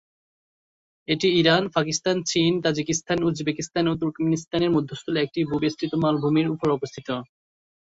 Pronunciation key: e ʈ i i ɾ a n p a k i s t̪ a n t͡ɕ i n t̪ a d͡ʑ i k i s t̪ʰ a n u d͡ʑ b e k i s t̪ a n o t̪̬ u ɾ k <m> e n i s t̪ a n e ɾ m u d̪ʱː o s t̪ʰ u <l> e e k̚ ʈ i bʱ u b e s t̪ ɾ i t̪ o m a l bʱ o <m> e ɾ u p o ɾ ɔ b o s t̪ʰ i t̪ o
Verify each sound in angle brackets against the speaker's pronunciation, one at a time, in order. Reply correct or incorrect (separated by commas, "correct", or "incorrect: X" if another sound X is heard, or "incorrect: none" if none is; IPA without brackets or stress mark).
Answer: correct, correct, correct